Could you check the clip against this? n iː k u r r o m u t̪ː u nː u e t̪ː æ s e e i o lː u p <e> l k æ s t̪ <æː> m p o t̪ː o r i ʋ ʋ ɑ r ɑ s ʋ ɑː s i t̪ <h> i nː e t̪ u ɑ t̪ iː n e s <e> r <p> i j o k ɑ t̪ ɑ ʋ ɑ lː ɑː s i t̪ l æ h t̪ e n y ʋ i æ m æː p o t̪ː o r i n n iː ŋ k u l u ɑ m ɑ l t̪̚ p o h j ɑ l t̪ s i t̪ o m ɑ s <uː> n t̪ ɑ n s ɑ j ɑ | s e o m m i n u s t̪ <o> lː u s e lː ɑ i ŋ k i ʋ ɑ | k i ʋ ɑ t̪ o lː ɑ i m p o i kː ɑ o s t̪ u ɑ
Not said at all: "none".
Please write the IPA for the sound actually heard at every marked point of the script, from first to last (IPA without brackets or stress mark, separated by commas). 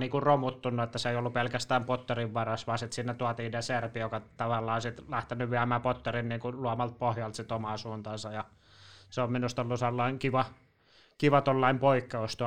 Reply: e, æː, s, e, p, uː, o